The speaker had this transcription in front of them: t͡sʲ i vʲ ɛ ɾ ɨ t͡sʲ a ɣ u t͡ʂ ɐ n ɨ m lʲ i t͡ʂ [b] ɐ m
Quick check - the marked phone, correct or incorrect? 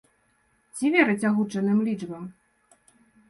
correct